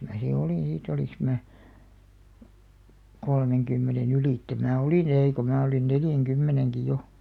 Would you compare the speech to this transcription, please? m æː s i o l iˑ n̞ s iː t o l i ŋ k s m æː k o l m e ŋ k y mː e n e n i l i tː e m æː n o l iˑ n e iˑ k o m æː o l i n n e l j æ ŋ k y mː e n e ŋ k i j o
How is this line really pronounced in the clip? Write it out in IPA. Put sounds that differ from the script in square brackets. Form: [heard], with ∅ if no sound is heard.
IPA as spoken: m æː s i o l iˑ n̞ s iː t o l i ŋ k s m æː k o l m e ŋ k y mː e n e n [y] l i tː e m æː [∅] o l iˑ n e iˑ k o m æː o l i n n e l j æ ŋ k y mː e n e ŋ k i j o